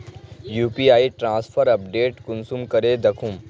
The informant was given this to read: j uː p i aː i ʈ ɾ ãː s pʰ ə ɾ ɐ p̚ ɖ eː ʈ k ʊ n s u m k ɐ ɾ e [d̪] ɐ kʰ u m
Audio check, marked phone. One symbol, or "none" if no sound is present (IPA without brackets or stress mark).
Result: d̪